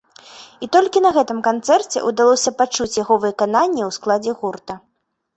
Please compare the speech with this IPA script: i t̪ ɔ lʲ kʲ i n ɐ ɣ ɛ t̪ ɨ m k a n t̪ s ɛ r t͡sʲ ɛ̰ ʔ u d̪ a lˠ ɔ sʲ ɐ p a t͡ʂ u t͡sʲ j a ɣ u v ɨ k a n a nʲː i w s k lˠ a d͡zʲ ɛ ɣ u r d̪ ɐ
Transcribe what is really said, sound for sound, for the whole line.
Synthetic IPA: i t̪ ɔ lʲ kʲ i n ɐ ɣ ɛ t̪ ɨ m k a n t̪ s ɛ r t͡sʲ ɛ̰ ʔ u d̪ a lˠ ɔ sʲ ɐ p a t͡ʂ u t͡sʲ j a ɣ ɔ v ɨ k a n a nʲː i w s k lˠ a d͡zʲ ɛ ɣ u r t̪ ɐ